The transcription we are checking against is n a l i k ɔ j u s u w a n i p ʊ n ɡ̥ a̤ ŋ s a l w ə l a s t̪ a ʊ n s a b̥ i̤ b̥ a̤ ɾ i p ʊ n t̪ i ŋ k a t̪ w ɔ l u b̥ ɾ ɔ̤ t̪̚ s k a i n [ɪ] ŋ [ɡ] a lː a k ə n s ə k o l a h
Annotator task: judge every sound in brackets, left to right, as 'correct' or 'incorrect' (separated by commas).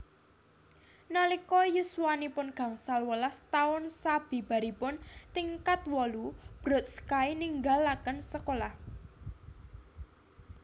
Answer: incorrect, correct